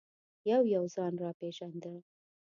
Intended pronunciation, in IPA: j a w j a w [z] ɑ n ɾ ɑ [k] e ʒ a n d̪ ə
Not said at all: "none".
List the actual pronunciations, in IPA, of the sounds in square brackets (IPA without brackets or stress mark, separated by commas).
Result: z, p